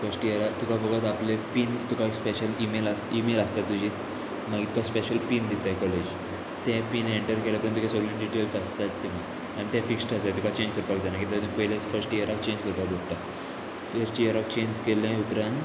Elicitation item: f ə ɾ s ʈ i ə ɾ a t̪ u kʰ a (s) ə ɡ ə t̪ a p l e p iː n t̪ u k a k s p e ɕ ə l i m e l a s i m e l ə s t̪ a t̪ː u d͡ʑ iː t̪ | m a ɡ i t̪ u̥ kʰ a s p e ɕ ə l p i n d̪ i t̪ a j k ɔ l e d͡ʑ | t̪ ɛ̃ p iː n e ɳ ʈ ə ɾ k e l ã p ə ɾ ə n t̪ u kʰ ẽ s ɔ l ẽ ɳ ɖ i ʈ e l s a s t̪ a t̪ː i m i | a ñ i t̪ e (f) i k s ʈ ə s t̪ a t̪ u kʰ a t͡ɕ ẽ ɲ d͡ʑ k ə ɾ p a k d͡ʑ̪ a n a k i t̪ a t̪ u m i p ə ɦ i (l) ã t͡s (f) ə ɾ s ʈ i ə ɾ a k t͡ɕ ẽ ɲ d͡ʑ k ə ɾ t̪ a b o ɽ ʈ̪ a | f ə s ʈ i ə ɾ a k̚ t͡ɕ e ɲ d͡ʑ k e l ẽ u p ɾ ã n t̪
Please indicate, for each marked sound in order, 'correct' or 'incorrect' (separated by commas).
incorrect, correct, correct, correct